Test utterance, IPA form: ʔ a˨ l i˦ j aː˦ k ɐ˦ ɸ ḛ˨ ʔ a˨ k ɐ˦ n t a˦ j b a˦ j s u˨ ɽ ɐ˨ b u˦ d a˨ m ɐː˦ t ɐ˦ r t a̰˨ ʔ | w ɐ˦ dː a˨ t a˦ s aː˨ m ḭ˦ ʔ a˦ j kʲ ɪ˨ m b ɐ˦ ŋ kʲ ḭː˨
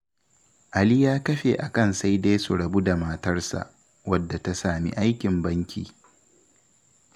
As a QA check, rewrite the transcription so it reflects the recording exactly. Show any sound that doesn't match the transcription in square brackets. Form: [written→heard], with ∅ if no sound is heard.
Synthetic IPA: ʔ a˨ l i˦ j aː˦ k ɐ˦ ɸ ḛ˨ ʔ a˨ k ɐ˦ n [t→s] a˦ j [b→d] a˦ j s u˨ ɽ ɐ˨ b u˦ d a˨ m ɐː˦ t ɐ˦ r [t→s] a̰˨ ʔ | w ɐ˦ dː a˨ t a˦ s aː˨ m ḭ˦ ʔ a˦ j kʲ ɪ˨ m b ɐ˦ ŋ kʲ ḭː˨